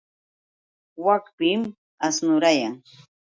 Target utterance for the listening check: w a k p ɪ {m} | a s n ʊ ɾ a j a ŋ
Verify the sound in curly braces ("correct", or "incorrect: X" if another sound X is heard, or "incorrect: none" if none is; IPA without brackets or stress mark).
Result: correct